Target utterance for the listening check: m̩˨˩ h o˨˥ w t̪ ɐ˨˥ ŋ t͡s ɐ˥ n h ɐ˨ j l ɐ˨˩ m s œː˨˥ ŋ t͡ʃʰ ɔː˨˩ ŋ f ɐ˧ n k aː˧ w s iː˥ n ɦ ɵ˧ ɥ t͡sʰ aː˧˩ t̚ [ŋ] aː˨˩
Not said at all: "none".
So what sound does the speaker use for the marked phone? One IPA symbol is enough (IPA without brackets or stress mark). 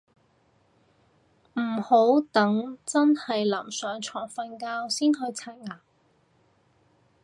ŋ